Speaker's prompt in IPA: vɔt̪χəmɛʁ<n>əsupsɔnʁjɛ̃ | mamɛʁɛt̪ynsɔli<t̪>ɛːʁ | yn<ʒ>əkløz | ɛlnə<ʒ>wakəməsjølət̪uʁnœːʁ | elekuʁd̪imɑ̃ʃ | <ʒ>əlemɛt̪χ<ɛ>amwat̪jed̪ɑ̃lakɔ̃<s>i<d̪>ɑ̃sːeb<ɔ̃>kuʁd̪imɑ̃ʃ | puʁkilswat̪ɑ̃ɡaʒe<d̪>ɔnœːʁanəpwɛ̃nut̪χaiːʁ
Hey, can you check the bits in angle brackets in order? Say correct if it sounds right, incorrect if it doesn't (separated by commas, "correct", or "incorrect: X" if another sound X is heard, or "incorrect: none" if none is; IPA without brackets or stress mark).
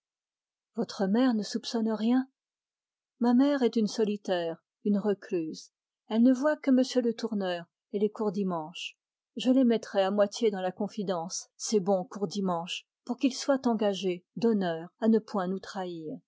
correct, correct, incorrect: ʁ, incorrect: v, correct, correct, incorrect: f, correct, correct, correct